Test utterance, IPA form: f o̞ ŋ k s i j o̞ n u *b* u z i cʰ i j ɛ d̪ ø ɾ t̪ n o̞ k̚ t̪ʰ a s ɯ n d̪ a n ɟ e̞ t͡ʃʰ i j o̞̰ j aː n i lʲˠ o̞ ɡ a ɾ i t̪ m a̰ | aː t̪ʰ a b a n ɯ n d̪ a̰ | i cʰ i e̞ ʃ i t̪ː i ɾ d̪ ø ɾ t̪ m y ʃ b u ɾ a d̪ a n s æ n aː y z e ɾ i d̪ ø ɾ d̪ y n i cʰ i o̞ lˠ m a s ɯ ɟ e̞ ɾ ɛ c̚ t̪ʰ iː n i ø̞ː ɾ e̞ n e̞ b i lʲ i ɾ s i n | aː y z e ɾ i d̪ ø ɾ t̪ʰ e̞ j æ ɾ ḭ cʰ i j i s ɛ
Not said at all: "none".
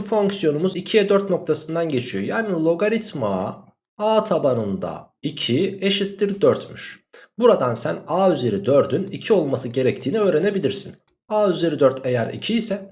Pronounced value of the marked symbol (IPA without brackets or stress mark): m